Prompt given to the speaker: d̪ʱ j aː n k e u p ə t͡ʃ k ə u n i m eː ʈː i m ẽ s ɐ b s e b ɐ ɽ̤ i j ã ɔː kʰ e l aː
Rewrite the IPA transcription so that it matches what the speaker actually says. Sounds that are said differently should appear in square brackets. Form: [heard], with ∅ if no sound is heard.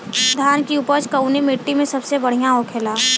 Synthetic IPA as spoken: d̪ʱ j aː n k [i] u p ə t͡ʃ k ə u n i m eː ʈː i m ẽ s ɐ b s e b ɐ ɽ̤ i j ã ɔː kʰ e l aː